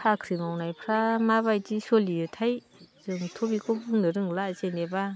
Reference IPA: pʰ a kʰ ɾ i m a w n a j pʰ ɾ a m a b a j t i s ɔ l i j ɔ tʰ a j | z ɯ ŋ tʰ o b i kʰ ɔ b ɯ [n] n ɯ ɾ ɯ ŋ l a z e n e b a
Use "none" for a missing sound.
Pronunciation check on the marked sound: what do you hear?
ŋ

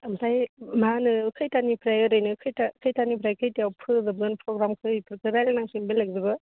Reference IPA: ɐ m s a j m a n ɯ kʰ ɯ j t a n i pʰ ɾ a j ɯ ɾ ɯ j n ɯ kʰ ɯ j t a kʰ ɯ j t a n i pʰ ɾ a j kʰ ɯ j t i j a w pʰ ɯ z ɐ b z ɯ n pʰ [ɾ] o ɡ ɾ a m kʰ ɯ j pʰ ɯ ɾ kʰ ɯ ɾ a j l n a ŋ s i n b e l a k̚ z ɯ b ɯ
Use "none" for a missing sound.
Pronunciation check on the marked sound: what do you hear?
ɾ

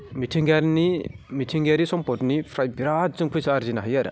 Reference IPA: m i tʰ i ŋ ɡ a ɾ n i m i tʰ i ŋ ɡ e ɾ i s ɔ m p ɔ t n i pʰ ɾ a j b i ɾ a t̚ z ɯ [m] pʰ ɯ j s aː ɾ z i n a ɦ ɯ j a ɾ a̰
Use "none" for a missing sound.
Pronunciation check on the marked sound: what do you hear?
ŋ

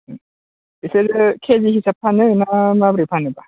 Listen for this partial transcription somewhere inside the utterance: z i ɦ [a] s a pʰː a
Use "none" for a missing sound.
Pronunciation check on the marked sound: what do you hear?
i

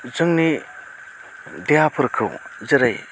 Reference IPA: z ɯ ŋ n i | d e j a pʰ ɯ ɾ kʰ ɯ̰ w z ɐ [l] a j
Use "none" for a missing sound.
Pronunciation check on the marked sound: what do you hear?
ɾ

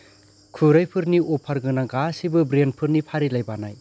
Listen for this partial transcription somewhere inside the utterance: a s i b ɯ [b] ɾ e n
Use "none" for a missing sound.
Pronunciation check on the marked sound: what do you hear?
b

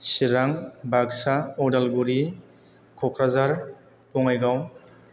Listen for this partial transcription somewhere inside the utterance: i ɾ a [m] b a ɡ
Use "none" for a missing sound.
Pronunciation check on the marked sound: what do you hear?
ŋ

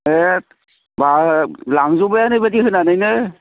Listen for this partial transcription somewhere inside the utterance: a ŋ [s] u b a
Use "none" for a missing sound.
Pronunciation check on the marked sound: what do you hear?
z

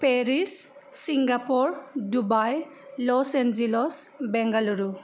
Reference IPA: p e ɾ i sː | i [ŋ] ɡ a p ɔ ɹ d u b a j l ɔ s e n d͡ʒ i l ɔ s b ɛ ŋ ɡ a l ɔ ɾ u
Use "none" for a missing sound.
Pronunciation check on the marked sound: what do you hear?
ŋ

